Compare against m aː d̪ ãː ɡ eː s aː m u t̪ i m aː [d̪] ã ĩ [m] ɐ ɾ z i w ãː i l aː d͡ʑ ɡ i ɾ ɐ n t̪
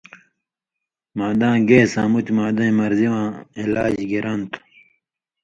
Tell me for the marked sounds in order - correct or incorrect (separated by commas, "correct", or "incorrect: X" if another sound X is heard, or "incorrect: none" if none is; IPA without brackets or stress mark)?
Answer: correct, correct